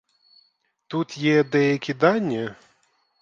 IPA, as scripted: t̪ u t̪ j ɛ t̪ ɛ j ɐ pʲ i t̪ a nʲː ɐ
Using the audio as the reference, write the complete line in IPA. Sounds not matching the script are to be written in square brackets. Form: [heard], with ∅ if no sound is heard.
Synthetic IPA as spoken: t̪ u t̪ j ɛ [d̪] ɛ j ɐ [kʲ] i [d̪] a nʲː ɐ

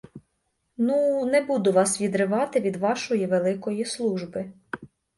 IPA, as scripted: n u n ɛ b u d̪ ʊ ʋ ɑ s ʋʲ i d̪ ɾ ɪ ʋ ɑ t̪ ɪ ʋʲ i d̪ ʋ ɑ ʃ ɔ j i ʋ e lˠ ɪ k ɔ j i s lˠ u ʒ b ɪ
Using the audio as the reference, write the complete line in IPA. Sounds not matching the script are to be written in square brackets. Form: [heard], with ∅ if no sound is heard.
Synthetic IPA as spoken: n u n ɛ b u d̪ ʊ ʋ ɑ s ʋʲ i d̪ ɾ ɪ ʋ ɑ t̪ ɪ ʋʲ i d̪ ʋ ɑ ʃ ɔ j i ʋ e lˠ ɪ k ɔ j i s lˠ u ʒ b ɪ

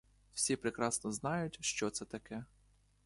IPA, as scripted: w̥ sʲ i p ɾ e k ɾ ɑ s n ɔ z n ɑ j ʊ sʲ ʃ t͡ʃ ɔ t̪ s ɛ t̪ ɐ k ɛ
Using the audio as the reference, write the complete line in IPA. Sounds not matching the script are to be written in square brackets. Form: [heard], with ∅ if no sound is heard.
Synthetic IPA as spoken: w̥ sʲ i p ɾ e k ɾ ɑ s n ɔ z n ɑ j ʊ [tʲ] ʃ t͡ʃ ɔ t̪ s ɛ t̪ ɐ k ɛ

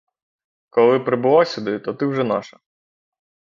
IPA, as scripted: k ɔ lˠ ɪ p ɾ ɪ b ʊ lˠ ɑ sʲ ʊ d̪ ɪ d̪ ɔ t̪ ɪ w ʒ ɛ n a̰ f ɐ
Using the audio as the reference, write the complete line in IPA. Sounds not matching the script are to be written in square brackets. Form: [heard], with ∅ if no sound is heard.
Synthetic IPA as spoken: k ɔ lˠ ɪ p ɾ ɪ b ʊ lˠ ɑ sʲ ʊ d̪ ɪ [t̪] ɔ t̪ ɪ w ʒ ɛ n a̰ [ʃ] ɐ

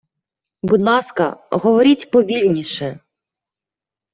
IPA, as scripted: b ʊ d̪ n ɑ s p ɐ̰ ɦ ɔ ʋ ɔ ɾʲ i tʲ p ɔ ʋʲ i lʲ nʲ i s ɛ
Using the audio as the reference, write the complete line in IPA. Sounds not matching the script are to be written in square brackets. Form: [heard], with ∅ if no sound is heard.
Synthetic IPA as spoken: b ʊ d̪ n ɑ s [k] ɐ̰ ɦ ɔ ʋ ɔ ɾʲ i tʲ p ɔ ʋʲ i lʲ nʲ i [ʃ] ɛ

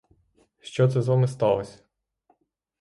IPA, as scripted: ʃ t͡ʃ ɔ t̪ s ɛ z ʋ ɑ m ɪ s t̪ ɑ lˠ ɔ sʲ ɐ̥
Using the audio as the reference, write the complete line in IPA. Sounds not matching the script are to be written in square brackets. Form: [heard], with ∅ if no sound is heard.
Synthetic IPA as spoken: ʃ t͡ʃ ɔ t̪ s ɛ z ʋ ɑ m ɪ s t̪ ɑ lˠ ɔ sʲ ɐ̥

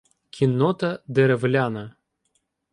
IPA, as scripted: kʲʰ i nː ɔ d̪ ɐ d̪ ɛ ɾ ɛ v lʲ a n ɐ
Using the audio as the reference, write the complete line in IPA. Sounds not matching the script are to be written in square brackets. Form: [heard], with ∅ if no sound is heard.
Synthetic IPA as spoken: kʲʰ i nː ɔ [t̪] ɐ d̪ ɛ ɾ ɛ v lʲ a n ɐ

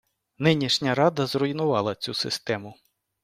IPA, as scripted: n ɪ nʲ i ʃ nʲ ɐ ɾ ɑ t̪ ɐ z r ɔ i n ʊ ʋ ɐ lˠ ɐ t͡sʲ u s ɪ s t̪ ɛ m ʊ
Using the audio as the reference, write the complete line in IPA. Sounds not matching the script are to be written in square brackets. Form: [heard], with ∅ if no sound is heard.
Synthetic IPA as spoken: n ɪ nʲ i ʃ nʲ ɐ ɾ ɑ [d̪] ɐ z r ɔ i n ʊ ʋ [ɑ] lˠ ɐ t͡sʲ u s ɪ s t̪ ɛ m ʊ

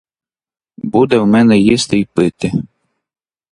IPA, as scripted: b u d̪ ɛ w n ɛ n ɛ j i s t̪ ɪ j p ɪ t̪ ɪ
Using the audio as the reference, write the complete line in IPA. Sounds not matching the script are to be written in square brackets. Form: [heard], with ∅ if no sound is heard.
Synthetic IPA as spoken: b u d̪ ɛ w [m] ɛ n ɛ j i s t̪ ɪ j p ɪ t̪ ɪ

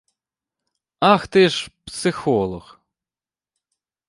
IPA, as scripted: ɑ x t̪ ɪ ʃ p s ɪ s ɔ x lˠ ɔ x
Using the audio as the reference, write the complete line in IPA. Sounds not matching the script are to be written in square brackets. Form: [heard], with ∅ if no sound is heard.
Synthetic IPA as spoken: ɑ x t̪ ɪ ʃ p s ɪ [x] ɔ [∅] lˠ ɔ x

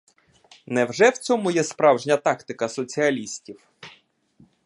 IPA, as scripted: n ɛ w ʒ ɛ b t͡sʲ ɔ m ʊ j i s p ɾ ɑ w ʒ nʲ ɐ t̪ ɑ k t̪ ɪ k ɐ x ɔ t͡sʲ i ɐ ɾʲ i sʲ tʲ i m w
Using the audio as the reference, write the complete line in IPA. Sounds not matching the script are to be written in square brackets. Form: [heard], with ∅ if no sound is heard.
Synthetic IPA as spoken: n ɛ w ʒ ɛ [w] t͡sʲ ɔ m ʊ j [ɛ] s p ɾ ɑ w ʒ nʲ ɐ t̪ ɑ k t̪ ɪ k ɐ [s] ɔ t͡sʲ i ɐ [lʲ] i sʲ tʲ i [∅] w

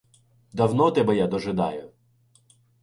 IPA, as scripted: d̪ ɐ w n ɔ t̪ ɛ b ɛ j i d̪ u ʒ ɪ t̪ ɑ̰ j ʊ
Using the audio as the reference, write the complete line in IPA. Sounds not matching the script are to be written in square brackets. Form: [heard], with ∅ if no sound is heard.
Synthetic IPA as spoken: d̪ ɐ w n ɔ t̪ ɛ b ɛ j [a] d̪ [ɔ] ʒ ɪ [d̪] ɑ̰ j ʊ

